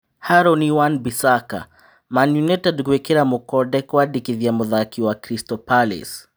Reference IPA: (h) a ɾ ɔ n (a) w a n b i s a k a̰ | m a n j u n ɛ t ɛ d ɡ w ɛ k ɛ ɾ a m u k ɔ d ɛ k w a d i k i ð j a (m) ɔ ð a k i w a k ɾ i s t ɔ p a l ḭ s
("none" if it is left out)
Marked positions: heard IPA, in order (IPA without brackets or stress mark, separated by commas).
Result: h, i, m